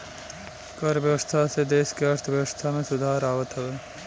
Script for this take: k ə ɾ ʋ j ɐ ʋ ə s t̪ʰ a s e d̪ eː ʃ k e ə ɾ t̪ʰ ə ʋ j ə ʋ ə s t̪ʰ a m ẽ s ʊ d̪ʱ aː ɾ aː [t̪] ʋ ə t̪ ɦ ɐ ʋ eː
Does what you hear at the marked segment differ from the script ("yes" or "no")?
yes